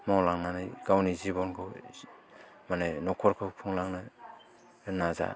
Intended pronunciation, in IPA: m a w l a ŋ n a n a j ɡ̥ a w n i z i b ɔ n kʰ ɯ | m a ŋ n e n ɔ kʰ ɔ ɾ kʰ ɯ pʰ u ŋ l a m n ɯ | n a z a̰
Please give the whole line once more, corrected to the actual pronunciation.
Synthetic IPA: m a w l a ŋ n a n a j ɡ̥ a w n i z i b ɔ n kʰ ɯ | m a n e n ɔ kʰ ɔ ɾ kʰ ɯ pʰ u ŋ l a ŋ n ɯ | n a z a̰